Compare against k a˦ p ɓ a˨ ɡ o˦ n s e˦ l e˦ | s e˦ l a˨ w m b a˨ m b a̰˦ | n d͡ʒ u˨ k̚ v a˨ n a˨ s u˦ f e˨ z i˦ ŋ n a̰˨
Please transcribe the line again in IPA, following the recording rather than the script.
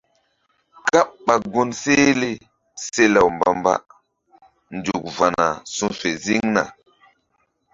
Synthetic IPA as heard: k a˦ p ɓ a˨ ɡ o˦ n s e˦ l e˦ | s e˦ l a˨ w m b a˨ m b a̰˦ | n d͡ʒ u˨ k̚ v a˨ n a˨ s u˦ f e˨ z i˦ ŋ n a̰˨